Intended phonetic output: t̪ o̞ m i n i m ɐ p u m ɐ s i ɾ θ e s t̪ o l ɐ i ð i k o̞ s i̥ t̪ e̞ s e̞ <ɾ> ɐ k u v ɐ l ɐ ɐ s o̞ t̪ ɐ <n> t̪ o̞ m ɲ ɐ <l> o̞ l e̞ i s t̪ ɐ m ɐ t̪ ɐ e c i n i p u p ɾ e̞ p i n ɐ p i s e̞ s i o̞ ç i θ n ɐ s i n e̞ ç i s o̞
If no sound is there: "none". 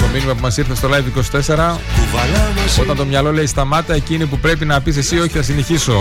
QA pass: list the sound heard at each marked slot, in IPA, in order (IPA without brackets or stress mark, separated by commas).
ɾ, n, l